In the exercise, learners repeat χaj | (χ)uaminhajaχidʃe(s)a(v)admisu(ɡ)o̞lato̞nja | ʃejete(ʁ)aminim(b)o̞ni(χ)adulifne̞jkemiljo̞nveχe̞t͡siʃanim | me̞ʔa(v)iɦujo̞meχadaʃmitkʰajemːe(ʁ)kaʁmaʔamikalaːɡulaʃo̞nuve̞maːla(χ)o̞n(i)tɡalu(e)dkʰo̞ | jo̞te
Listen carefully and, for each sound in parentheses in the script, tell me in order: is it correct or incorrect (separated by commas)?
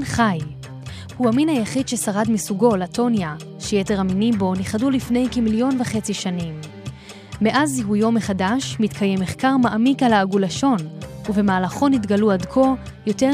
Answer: incorrect, correct, incorrect, correct, correct, correct, correct, incorrect, incorrect, correct, correct, incorrect